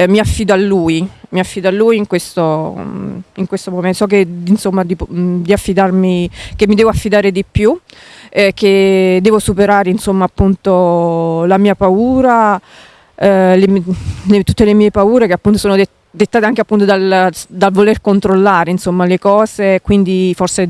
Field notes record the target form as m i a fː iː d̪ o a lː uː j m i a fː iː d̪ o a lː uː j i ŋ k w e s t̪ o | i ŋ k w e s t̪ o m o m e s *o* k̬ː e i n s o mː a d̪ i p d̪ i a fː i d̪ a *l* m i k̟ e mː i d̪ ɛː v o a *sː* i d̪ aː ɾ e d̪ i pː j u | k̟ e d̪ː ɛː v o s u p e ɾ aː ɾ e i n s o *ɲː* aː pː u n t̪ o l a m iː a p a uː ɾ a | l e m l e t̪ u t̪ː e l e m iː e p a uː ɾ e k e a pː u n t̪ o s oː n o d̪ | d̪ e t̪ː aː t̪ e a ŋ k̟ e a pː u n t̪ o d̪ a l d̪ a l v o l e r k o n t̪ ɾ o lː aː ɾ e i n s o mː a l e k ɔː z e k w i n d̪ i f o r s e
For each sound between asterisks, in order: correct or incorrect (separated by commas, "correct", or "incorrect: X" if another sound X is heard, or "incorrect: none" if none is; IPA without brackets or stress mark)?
incorrect: ɔ, incorrect: r, incorrect: fː, incorrect: mː